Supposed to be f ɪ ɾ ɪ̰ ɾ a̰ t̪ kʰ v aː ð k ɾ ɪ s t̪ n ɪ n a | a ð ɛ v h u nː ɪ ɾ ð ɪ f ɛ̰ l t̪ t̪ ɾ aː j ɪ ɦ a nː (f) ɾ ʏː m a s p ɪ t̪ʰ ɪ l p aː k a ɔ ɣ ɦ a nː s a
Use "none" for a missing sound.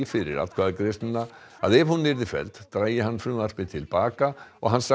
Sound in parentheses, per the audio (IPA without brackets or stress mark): f